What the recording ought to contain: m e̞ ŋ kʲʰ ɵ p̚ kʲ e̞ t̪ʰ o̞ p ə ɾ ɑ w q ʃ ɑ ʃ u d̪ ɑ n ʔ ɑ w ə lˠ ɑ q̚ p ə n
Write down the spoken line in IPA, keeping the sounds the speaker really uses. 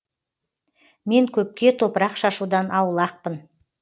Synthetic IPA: m e̞ ŋ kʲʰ ɵ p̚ kʲ e̞ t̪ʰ o̞ p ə ɾ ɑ q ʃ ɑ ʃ u d̪ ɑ n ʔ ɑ w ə lˠ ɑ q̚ p ə n